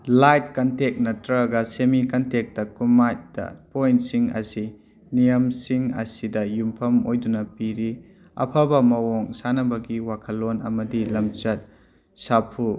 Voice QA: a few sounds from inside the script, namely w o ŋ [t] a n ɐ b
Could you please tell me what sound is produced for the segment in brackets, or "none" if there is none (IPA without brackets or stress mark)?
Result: s